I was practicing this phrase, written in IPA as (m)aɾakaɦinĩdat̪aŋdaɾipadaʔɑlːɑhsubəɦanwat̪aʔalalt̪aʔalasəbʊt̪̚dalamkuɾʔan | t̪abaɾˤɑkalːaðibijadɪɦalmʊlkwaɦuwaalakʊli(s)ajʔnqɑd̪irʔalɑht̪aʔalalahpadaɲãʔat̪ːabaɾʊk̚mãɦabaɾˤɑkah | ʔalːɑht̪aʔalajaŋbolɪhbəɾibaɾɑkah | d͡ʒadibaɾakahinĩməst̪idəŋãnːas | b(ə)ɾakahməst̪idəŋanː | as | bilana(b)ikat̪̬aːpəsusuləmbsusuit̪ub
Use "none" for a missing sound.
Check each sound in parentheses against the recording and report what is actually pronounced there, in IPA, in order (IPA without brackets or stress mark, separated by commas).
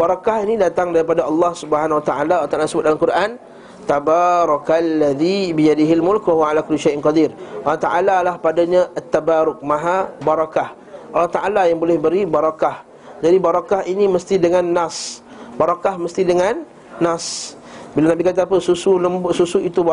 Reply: b, ʃ, a, b